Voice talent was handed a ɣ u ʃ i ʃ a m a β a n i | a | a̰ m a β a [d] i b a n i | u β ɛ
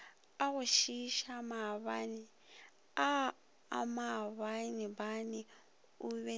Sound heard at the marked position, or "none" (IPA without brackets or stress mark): n